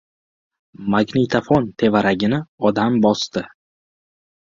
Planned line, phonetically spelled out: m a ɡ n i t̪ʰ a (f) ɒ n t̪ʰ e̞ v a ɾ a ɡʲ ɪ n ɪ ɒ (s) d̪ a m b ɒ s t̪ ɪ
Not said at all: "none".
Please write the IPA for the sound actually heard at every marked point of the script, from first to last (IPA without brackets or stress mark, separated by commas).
f, none